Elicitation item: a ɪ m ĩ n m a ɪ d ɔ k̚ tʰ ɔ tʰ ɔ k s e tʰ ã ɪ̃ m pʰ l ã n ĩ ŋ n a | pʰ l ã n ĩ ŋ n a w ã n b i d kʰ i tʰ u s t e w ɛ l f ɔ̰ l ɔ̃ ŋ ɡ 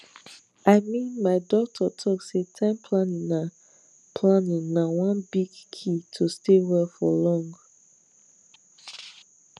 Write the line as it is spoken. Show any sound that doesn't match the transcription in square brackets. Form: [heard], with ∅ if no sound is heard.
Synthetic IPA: a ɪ m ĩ n m a ɪ d ɔ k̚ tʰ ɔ tʰ ɔ k s e tʰ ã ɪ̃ m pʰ l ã n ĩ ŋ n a | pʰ l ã n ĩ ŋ n a w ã n b i [ɡ] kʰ i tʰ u s t e w ɛ l f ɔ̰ l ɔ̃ ŋ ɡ